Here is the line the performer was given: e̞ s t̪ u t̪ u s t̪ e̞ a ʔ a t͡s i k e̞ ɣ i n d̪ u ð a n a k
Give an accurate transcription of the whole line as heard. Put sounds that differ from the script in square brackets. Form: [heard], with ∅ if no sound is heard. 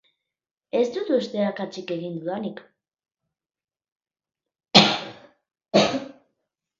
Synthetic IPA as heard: e̞ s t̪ u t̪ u s t̪ e̞ a [k] a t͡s i k e̞ ɣ i n d̪ u ð a n [i] k